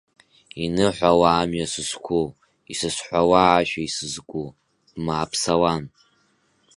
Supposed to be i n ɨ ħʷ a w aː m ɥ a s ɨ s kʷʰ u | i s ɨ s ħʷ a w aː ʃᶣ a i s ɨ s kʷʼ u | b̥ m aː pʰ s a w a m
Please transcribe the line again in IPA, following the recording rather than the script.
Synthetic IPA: i n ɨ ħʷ a w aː m ɥ a s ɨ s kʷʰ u | i s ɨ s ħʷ a w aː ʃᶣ a i s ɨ z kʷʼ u | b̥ m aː pʰ s a w a n